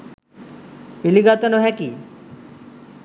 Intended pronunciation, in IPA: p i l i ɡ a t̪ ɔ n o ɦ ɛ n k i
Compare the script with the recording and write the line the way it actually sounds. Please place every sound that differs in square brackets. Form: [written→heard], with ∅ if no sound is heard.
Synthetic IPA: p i l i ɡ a t̪ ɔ n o ɦ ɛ [n→∅] k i